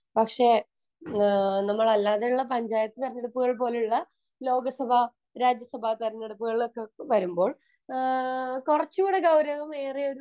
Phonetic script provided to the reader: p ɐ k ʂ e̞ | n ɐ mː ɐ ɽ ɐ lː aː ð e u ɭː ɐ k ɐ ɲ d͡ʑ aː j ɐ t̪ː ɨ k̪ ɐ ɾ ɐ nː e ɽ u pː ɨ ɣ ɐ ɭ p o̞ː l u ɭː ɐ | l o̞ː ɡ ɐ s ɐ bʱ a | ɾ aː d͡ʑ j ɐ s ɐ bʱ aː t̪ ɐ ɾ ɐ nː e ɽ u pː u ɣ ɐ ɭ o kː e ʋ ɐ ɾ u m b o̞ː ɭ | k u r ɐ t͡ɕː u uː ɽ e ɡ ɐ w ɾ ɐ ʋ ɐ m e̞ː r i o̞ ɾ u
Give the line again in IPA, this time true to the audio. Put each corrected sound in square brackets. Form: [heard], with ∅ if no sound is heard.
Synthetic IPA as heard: p ɐ k ʂ e̞ | n ɐ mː ɐ [ɭ] ɐ lː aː ð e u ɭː ɐ [p] ɐ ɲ d͡ʑ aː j ɐ t̪ː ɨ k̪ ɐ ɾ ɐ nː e ɽ u pː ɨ ɣ ɐ ɭ p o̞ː l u ɭː ɐ | l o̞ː ɡ ɐ s ɐ bʱ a | ɾ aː d͡ʑ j ɐ s ɐ bʱ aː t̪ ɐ ɾ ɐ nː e ɽ u pː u ɣ ɐ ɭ o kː e ʋ ɐ ɾ u m b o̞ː ɭ | k u r ɐ t͡ɕː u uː ɽ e ɡ ɐ w ɾ ɐ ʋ ɐ m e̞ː r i o̞ ɾ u

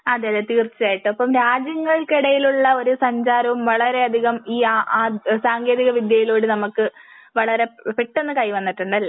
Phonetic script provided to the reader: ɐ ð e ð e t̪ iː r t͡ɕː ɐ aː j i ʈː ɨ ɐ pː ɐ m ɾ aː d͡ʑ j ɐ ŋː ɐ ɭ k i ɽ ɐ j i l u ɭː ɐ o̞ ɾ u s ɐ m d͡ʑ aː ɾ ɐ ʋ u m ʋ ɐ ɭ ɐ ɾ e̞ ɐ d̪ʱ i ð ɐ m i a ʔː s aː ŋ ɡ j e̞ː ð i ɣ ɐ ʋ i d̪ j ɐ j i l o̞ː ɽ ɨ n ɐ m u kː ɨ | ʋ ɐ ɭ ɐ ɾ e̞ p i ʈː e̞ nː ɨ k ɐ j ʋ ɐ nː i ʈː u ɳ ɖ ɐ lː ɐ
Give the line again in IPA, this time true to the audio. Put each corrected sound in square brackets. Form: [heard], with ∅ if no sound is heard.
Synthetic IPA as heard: ɐ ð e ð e t̪ iː r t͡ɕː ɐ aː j i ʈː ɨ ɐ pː ɐ m ɾ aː d͡ʑ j ɐ ŋː ɐ ɭ k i ɽ ɐ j i l u ɭː ɐ o̞ ɾ u s ɐ [ɲ] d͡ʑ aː ɾ ɐ ʋ u m ʋ ɐ ɭ ɐ ɾ e̞ ɐ d̪ʱ i [ɣ] ɐ m [iː] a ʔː s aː ŋ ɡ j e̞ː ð i ɣ ɐ ʋ i d̪ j ɐ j i l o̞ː ɽ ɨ n ɐ m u kː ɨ | ʋ ɐ ɭ ɐ ɾ e̞ p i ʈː e̞ nː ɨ k ɐ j ʋ ɐ nː i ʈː u ɳ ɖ ɐ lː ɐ

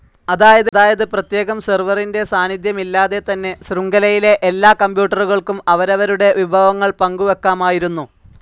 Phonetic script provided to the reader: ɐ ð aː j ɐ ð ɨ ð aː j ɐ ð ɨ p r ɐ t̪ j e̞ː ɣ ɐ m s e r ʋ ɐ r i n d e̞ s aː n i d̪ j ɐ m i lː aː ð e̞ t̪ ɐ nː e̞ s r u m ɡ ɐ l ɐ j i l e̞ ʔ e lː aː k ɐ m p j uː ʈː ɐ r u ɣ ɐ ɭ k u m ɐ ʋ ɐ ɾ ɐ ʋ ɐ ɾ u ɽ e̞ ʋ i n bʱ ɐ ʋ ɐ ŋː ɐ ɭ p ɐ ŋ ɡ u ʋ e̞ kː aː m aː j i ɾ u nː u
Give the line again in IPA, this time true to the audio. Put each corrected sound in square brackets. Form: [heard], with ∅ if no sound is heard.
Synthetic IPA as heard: ɐ ð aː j ɐ ð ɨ ð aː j ɐ ð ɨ p r ɐ t̪ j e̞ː ɣ ɐ m s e r ʋ ɐ r i n d e̞ s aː n i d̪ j ɐ m i lː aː ð e̞ t̪ ɐ nː e̞ s r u [ŋ] ɡ ɐ l ɐ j i l e̞ ʔ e lː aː k ɐ m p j uː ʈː ɐ r u ɣ ɐ ɭ k u m ɐ ʋ ɐ ɾ ɐ ʋ ɐ ɾ u ɽ e̞ ʋ i [∅] bʱ ɐ ʋ ɐ ŋː ɐ ɭ p ɐ ŋ ɡ u ʋ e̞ kː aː m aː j i ɾ u nː u

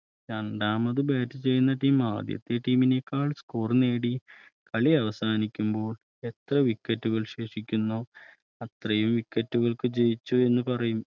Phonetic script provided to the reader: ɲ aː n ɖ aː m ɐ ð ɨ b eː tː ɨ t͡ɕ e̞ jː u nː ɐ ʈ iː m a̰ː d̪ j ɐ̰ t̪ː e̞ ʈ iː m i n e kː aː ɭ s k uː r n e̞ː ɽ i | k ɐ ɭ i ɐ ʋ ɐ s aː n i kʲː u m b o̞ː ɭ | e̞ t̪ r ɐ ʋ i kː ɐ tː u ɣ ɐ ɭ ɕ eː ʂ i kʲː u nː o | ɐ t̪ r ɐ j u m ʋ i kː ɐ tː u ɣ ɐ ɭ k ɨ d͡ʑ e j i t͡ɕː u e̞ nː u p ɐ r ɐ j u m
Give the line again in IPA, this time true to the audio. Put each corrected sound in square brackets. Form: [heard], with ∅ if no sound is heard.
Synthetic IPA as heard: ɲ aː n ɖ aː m ɐ ð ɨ b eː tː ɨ t͡ɕ e̞ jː u nː ɐ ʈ iː m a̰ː d̪ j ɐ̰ t̪ː e̞ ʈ iː m i n e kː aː ɭ s k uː r n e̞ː ɽ i | k ɐ ɭ i ɐ ʋ ɐ s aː n i kʲː u m b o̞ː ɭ | e̞ t̪ r ɐ ʋ i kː ɐ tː u ɣ ɐ ɭ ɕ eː ʂ i kʲː u nː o | ɐ t̪ r ɐ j u m ʋ i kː ɐ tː u ɣ ɐ ɭ k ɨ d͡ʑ e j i t͡ɕː u e̞ nː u p ɐ r ɐ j u m

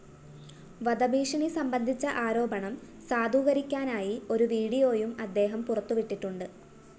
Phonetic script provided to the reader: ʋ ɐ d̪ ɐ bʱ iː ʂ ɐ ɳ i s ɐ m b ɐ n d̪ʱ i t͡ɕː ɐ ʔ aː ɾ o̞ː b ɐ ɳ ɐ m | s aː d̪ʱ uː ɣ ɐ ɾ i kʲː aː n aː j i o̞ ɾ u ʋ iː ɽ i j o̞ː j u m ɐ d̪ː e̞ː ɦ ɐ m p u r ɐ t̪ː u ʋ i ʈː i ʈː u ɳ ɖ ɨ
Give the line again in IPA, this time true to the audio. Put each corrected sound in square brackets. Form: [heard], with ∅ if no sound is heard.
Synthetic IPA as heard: ʋ ɐ d̪ ɐ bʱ iː ʂ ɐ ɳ i s ɐ m b ɐ n d̪ʱ i t͡ɕː ɐ ʔ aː ɾ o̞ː b ɐ ɳ ɐ m | s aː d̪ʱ uː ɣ ɐ ɾ i kʲː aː n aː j i o̞ ɾ u ʋ iː ɽ i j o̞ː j u m ɐ d̪ː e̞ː ɦ ɐ m p u r ɐ t̪ː u ʋ i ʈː i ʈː u ɳ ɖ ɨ

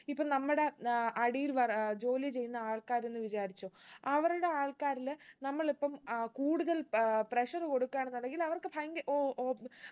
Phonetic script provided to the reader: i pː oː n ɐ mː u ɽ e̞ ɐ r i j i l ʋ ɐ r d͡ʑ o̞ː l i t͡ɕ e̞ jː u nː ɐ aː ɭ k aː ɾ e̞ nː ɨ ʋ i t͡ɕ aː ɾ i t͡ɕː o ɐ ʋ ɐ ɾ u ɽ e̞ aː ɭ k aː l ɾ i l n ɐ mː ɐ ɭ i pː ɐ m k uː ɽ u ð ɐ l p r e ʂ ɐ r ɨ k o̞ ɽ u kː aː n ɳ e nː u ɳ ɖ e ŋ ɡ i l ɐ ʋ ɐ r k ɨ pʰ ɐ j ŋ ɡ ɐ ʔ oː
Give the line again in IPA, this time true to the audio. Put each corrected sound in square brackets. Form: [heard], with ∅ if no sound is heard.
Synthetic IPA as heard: i pː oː n ɐ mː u ɽ e̞ ɐ [ɽ] i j i l ʋ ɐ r d͡ʑ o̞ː l i t͡ɕ e̞ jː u nː ɐ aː ɭ k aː ɾ e̞ nː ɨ ʋ i t͡ɕ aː ɾ i t͡ɕː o ɐ ʋ ɐ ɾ u ɽ e̞ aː ɭ k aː [∅] ɾ i l n ɐ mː ɐ ɭ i pː ɐ m k uː ɽ u ð ɐ l p r e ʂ ɐ r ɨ k o̞ ɽ u kː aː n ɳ e nː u ɳ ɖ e ŋ ɡ i l ɐ ʋ ɐ r k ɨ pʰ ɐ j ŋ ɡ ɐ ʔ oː

